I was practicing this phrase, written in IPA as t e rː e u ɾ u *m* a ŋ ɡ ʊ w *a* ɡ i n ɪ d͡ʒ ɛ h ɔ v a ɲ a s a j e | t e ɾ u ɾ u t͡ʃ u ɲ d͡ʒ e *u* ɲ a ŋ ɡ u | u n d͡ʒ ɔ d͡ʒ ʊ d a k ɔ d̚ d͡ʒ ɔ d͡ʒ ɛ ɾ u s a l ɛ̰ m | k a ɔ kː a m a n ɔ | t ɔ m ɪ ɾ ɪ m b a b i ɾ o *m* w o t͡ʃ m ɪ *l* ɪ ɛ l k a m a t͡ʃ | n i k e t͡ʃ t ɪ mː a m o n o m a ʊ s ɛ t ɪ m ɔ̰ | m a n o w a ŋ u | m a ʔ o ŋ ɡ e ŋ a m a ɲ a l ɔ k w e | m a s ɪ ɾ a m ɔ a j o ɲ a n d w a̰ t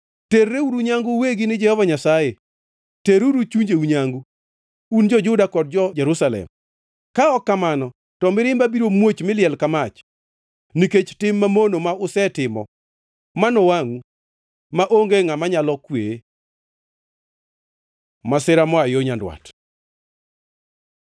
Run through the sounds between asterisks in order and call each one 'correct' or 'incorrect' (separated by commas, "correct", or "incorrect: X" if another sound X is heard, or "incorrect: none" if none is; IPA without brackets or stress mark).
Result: incorrect: ɲ, incorrect: e, correct, correct, correct